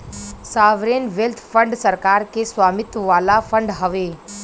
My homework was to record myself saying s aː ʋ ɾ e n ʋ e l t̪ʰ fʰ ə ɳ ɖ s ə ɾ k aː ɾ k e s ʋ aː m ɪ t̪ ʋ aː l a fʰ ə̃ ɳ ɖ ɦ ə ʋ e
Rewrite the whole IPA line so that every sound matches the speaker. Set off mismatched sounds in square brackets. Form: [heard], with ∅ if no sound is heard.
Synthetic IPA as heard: s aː ʋ ɾ e n ʋ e l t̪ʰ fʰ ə ɳ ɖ s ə ɾ k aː ɾ k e s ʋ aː m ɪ t̪ ʋ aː l a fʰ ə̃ ɳ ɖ ɦ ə ʋ e